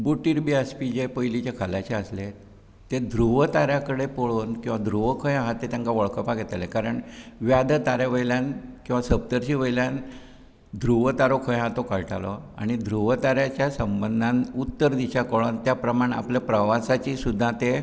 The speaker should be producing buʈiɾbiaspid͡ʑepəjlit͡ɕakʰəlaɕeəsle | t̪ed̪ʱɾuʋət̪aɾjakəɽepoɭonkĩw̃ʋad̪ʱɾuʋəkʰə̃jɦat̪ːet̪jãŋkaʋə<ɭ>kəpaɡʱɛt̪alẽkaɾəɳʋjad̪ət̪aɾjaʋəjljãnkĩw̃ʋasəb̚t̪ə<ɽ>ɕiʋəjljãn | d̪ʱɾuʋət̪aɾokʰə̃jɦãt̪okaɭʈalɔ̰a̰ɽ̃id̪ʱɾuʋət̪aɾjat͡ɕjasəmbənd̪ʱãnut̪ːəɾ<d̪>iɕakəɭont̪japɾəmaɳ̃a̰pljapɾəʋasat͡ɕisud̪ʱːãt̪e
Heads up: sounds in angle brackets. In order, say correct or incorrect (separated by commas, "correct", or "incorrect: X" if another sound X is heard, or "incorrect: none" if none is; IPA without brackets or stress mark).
correct, incorrect: ɾ, correct